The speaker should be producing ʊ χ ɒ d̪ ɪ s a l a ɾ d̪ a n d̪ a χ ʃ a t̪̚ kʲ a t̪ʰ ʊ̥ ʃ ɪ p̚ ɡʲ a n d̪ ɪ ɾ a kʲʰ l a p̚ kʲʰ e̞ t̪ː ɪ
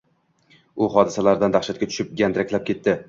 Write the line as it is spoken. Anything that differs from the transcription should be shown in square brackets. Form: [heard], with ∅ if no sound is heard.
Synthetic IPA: ʊ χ ɒ d̪ ɪ s a l a ɾ d̪ a n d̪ a χ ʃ a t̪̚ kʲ a t̪ʰ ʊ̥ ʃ ɪ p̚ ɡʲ a n d̪ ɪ ɾ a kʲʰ l a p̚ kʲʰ e̞ t̪ː ɪ